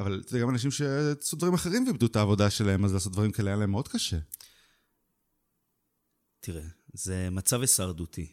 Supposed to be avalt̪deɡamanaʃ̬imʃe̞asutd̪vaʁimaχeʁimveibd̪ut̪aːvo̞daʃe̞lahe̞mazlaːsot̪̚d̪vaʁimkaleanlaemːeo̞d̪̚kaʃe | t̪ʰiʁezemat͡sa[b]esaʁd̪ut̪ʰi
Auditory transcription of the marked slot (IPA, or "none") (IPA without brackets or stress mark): v